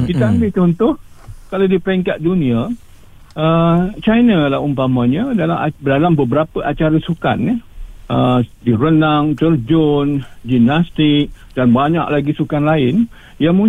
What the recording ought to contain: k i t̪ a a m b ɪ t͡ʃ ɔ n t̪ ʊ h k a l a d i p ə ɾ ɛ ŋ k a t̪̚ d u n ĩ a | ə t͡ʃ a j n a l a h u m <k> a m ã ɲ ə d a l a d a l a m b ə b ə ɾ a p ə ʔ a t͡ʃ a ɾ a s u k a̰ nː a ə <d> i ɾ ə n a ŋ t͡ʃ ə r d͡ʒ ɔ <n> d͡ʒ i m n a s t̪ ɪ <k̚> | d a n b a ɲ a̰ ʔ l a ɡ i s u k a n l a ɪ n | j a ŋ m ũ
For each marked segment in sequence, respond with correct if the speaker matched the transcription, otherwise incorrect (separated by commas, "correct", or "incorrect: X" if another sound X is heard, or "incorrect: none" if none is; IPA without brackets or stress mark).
incorrect: p, correct, correct, correct